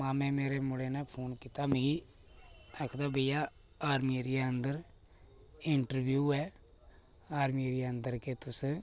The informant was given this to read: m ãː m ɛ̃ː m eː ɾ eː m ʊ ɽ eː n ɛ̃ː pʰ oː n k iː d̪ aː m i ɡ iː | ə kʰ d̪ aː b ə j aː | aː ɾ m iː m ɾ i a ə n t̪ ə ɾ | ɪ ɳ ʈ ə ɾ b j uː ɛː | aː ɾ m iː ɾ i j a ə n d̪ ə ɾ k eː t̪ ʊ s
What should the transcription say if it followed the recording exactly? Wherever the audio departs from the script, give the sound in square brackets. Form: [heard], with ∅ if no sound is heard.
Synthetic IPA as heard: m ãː m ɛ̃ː m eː ɾ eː m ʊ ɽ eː n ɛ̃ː pʰ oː n k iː [t̪] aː m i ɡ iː | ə kʰ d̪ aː b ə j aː | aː ɾ m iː [∅] ɾ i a ə n [d̪] ə ɾ | ɪ ɳ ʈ ə ɾ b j uː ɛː | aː ɾ m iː ɾ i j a ə n d̪ ə ɾ k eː t̪ ʊ s